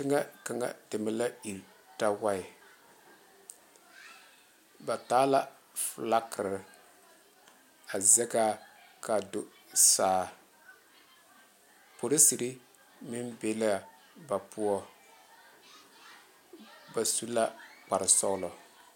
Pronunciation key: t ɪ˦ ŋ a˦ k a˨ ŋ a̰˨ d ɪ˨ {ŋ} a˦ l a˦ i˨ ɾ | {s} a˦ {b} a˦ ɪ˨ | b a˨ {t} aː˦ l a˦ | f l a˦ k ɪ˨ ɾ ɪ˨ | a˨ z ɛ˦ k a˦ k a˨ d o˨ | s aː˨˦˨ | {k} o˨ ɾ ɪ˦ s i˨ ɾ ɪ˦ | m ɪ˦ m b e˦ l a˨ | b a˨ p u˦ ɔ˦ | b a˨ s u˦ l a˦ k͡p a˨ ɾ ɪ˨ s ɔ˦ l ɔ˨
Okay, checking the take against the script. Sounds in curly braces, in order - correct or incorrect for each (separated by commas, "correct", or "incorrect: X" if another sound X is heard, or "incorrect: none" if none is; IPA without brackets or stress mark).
incorrect: m, incorrect: t, incorrect: w, correct, incorrect: p